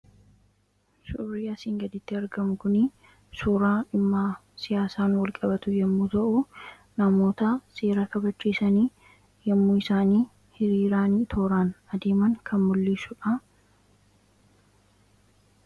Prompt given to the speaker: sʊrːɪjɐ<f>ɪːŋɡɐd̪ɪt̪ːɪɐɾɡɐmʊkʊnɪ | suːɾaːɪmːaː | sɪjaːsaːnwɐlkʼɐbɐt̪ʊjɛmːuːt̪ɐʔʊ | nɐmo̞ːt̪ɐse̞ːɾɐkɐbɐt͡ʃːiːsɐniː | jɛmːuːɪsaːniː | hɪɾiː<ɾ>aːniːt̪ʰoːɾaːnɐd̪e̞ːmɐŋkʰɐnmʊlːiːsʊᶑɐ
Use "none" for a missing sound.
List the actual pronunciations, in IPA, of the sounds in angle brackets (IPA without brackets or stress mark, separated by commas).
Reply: s, ɾ